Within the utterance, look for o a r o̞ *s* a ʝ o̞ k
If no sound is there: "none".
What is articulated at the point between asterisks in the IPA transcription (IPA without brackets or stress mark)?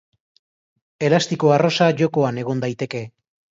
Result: s